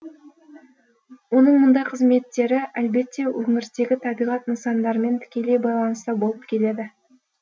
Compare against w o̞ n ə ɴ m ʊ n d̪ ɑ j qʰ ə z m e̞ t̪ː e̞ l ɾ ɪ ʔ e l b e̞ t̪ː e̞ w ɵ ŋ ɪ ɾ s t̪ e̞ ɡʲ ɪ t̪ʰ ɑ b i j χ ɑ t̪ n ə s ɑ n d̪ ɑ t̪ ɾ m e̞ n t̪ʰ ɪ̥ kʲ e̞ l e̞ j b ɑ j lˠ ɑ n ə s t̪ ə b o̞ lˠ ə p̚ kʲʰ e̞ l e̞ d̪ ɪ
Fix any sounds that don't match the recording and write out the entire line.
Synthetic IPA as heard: w o̞ n ə ɴ m ʊ n d̪ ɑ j qʰ ə z m e̞ t̪ː e̞ ɾ ɪ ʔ æ l b e̞ t̪ː e̞ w ɵ ŋ ɪ ɾ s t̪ e̞ ɡʲ ɪ t̪ʰ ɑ b i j ʁ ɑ t̪ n ə s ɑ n d̪ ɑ ɾ m e̞ n t̪ʰ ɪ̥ kʲ e̞ l e̞ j b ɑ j lˠ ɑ n ə s t̪ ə b o̞ lˠ ə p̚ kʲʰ e̞ l e̞ d̪ ɪ